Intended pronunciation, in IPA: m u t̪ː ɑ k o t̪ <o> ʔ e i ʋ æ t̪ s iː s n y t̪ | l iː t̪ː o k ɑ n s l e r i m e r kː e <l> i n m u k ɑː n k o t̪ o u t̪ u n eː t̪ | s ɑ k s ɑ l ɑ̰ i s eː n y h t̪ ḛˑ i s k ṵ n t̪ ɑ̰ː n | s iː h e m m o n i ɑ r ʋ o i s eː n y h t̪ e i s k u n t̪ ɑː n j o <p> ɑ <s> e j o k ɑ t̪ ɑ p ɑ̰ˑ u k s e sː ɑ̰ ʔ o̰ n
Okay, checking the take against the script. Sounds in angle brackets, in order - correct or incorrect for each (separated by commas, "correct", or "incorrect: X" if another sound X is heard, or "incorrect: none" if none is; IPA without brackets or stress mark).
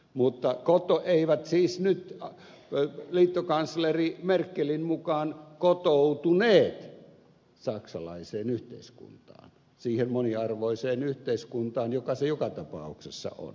correct, correct, incorrect: k, correct